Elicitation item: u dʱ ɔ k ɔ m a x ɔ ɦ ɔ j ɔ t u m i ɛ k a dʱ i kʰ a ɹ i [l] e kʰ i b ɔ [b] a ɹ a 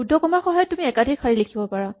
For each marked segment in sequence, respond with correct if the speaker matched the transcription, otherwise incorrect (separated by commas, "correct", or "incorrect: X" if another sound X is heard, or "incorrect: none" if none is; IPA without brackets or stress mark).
correct, incorrect: p